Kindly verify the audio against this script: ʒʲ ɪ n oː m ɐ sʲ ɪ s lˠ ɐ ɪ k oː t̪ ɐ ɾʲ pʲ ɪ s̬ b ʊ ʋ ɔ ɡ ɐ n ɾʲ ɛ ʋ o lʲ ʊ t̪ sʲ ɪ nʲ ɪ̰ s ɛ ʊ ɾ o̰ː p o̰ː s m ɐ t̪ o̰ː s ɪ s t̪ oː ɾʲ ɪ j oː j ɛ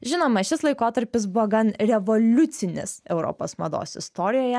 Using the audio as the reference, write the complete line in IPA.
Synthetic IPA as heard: ʒʲ ɪ n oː m ɐ ʃʲ ɪ s lˠ ɐ ɪ k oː t̪ ɐ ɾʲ pʲ ɪ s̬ b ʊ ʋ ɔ ɡ ɐ n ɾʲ ɛ ʋ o lʲ ʊ t̪ sʲ ɪ nʲ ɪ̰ s ɛ ʊ ɾ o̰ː p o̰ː s m ɐ d̪ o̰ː s ɪ s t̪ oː ɾʲ ɪ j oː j ɛ

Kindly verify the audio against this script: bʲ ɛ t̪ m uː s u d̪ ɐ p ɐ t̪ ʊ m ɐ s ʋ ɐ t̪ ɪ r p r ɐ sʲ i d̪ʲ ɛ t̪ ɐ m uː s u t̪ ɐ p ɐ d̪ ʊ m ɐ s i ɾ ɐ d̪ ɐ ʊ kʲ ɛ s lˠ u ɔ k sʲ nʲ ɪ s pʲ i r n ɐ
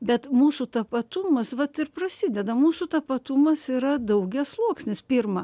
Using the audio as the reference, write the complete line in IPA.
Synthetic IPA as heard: bʲ ɛ t̪ m uː s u t̪ ɐ p ɐ t̪ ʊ m ɐ s ʋ ɐ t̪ ɪ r p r ɐ sʲ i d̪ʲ ɛ d̪ ɐ m uː s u t̪ ɐ p ɐ t̪ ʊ m ɐ s i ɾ ɐ d̪ ɐ ʊ ɡʲ ɛ s lˠ u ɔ k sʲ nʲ ɪ s pʲ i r m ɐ

